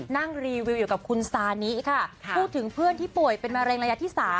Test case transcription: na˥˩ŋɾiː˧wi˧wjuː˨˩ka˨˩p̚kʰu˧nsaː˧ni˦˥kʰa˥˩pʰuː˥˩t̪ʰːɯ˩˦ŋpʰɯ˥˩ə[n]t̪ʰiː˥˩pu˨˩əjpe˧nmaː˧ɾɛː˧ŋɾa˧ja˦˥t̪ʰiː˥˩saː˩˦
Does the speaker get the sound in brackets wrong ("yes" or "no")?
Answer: no